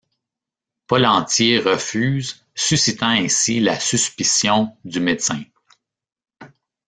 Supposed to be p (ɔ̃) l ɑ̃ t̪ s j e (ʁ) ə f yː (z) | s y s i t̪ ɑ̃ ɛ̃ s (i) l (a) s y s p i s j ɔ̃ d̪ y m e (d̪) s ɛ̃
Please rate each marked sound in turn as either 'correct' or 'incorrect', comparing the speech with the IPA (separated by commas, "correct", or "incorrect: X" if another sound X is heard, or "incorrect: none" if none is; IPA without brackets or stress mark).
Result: incorrect: ɔ, correct, correct, correct, correct, incorrect: t̪